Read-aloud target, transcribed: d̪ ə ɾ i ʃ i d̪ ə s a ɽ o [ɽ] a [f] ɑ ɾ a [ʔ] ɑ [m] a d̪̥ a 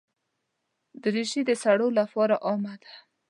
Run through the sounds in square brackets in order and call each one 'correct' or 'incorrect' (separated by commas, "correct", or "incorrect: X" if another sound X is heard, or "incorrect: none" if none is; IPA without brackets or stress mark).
incorrect: l, correct, correct, correct